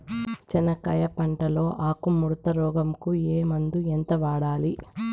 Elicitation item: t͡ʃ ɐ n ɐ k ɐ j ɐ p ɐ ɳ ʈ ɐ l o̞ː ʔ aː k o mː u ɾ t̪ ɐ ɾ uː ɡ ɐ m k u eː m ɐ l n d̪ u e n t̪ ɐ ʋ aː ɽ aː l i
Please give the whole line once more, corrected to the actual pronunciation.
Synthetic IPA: t͡ʃ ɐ n ɐ k ɐ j ɐ p ɐ ɳ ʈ ɐ l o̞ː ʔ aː k u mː u ɾ t̪ ɐ ɾ ɔː ɡ ɐ m k u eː m ɐ n d̪ u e n t̪ ɐ ʋ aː ɽ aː l i

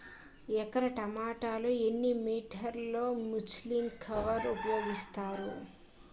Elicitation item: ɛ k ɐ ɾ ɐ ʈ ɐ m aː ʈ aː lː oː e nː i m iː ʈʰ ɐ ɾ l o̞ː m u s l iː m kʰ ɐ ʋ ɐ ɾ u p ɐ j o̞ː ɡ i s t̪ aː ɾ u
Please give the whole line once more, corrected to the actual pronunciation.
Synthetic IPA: ɛ k ɐ ɾ ɐ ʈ ɐ m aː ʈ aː l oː e nː i m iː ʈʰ ɐ ɾ l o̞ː m u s l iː m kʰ ɐ ʋ ɐ ɾ u p ɐ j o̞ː ɡ i s t̪ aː ɾ u

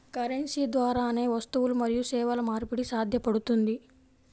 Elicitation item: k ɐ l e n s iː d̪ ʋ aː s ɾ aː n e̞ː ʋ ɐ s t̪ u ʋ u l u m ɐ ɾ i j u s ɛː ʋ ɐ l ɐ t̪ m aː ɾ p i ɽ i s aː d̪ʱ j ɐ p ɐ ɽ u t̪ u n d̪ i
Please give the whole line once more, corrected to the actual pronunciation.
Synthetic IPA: k ɐ ɾ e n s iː d̪ ʋ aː ɾ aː n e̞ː ʋ ɐ s t̪ u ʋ u l u m ɐ ɾ i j u s ɛː ʋ ɐ l ɐ m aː ɾ p i ɽ i s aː d̪ʱ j ɐ p ɐ ɽ u t̪ u n d̪ i

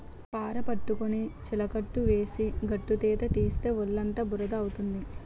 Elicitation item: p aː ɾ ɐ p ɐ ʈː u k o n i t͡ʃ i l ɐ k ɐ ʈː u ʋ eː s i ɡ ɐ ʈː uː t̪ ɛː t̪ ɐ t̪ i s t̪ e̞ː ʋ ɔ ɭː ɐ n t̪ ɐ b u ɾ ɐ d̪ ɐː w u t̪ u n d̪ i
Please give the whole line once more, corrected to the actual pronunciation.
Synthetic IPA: p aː ɾ ɐ p ɐ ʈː u k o n i t͡ʃ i l ɐ k ɐ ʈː u ʋ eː s i ɡ ɐ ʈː u t̪ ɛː t̪ ɐ t̪ iː s t̪ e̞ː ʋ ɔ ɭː ɐ n t̪ ɐ b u ɾ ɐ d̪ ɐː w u t̪ u n d̪ i

